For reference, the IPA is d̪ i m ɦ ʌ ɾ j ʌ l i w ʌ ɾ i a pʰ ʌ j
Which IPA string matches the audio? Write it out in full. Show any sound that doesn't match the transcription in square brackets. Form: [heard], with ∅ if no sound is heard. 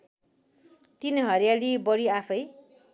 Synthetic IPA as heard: [t̪] i [n] ɦ ʌ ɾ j [a] l i [b] ʌ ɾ i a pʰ ʌ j